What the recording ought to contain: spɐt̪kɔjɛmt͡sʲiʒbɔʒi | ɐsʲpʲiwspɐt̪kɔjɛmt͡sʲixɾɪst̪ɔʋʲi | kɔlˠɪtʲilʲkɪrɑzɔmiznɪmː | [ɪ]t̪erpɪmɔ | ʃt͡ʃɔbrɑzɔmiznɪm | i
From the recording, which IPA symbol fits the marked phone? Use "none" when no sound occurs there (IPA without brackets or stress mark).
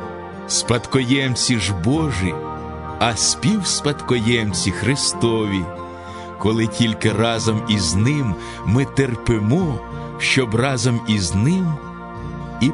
ɪ